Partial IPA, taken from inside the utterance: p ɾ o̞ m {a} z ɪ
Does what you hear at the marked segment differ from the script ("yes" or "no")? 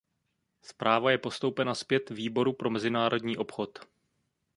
yes